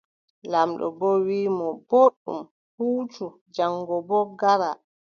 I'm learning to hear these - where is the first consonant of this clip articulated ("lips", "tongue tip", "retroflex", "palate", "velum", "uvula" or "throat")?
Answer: tongue tip